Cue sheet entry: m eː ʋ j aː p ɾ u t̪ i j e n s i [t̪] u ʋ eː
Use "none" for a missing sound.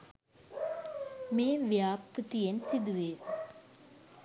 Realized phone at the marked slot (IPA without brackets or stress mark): d̪